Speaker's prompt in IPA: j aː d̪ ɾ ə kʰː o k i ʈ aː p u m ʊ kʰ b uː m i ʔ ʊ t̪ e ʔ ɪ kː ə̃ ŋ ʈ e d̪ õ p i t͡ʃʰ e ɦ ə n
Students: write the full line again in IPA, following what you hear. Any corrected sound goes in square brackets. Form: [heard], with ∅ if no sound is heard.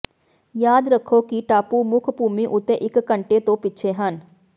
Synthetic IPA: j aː d̪ ɾ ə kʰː o k i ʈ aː p u m ʊ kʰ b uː m i ʔ ʊ t̪ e ʔ ɪ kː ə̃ [ɳ] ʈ e [t̪] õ p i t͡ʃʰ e ɦ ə n